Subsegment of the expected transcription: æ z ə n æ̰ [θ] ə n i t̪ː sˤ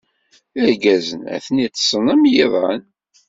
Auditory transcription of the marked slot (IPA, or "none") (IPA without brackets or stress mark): θ